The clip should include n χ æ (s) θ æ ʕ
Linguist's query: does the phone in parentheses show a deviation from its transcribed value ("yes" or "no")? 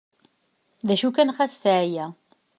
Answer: no